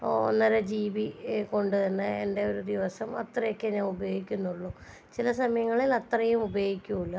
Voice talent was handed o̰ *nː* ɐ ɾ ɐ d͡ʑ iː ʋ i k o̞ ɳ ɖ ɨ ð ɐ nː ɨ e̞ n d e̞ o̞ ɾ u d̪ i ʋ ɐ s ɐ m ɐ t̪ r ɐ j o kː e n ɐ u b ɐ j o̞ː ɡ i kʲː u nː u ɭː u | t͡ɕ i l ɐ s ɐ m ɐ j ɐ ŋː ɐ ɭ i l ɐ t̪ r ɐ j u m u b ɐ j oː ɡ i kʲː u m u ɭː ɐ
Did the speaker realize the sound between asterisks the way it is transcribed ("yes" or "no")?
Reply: yes